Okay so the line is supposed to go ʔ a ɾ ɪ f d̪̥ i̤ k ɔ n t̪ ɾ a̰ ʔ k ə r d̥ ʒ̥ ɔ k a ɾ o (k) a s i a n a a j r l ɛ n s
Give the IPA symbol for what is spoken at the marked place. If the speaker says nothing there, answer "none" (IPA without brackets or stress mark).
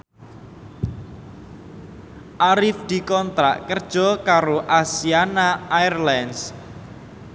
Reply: ʔ